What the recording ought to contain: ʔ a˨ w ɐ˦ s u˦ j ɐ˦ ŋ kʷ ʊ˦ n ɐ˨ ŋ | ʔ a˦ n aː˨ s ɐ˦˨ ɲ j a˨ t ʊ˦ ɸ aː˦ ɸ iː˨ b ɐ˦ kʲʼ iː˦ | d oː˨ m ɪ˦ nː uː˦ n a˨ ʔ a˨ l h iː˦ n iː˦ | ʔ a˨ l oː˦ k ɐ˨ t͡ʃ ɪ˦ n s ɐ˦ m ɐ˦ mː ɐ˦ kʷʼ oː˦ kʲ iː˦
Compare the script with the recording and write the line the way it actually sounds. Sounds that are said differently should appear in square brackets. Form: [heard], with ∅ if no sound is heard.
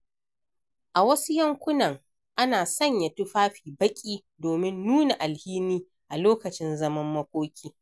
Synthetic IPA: ʔ a˨ w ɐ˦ s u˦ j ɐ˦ ŋ kʷ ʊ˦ n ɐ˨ ŋ | ʔ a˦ n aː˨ s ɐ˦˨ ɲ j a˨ t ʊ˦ ɸ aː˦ ɸ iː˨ b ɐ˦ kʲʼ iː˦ | d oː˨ m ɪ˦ nː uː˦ n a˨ ʔ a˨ l h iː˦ n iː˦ | ʔ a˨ l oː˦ k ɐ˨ t͡ʃ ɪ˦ n [z] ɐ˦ m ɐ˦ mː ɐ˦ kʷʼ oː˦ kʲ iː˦